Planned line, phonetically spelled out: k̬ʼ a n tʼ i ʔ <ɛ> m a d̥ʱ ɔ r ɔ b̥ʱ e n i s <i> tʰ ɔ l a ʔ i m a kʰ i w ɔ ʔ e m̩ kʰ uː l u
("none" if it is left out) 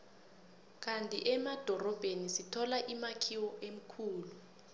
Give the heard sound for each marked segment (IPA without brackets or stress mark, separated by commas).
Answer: ɛ, i